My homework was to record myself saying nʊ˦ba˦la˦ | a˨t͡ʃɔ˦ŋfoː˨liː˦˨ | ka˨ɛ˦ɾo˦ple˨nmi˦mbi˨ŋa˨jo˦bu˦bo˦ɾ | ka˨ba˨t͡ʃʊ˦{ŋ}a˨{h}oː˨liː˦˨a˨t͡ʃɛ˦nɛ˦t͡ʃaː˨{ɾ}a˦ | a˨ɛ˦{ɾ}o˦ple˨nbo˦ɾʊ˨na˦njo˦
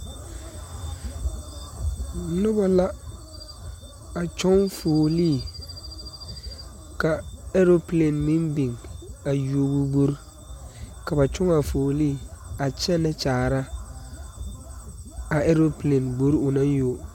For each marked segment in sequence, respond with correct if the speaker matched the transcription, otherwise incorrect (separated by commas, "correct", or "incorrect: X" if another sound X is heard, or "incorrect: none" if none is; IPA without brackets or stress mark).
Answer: correct, incorrect: f, correct, correct